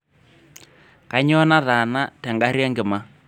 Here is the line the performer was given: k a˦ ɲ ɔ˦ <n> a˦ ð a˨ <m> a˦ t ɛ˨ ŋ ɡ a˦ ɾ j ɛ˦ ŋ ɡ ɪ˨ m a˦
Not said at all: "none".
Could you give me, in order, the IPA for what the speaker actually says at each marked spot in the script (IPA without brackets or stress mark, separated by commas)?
n, n